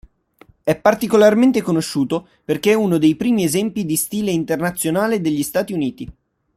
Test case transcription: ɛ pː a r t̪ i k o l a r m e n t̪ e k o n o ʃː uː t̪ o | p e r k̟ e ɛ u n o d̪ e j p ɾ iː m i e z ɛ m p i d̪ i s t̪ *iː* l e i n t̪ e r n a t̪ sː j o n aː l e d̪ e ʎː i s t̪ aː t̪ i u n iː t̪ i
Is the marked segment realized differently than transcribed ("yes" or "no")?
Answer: no